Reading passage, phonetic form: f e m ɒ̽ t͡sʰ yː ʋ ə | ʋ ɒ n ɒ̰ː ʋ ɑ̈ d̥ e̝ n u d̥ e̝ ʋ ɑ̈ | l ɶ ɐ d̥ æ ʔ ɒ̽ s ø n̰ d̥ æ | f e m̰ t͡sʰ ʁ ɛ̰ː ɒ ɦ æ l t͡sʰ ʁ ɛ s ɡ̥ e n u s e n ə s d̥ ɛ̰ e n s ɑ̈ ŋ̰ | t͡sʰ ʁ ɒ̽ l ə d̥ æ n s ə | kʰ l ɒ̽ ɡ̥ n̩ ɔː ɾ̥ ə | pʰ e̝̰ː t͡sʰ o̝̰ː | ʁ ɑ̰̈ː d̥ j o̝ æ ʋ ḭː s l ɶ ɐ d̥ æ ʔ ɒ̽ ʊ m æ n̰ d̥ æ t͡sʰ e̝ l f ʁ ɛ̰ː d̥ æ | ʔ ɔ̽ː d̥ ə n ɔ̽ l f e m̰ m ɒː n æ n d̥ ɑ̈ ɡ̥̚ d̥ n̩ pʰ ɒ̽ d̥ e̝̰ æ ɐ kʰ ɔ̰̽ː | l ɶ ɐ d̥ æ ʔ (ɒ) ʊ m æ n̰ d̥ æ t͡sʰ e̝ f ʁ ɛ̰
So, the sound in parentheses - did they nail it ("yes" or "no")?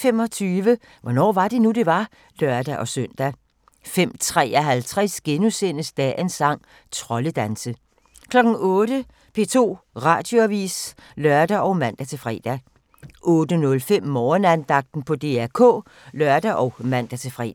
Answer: yes